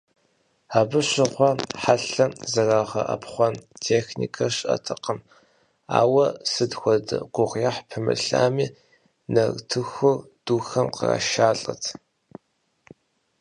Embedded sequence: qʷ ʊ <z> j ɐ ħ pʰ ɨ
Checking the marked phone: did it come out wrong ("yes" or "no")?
yes